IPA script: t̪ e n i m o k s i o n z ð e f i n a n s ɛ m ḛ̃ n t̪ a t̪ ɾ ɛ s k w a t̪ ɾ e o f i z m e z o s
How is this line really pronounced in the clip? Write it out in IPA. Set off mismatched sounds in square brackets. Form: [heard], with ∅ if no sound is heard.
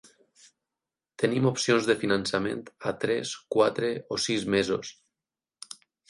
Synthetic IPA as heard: t̪ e n i m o [p] s i o n z ð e f i n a n s [a] m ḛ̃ n t̪ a t̪ ɾ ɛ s k w a t̪ ɾ e o [s] i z m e z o s